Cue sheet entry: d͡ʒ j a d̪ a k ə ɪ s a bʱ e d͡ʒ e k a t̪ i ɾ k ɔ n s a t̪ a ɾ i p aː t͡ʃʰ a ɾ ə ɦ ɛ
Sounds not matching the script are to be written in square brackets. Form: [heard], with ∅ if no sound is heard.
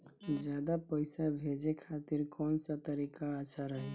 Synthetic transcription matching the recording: d͡ʒ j a d̪ a [p] ə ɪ s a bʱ e d͡ʒ e [kʰ] a t̪ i ɾ k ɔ n s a t̪ [ə] ɾ i [k] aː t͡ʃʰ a ɾ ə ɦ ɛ

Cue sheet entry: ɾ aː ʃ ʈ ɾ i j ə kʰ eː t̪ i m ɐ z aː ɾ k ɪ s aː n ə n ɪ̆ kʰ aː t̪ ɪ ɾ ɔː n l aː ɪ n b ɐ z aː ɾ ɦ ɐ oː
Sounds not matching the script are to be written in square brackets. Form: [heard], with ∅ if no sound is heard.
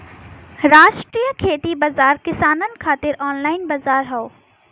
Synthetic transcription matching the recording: ɾ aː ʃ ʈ ɾ i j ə kʰ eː t̪ i [b] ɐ z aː ɾ k ɪ s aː n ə n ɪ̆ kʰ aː t̪ ɪ ɾ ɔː n l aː ɪ n b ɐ z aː ɾ ɦ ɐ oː

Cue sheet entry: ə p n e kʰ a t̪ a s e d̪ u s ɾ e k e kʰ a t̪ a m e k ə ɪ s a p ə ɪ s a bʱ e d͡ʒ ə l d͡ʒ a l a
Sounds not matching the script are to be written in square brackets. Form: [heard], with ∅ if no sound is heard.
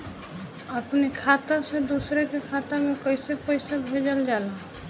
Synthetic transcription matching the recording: ə p n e kʰ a t̪ a s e d̪ u s ɾ e k e kʰ a t̪ a m e k ə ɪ s [e] p ə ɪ s a bʱ e d͡ʒ ə l d͡ʒ a l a

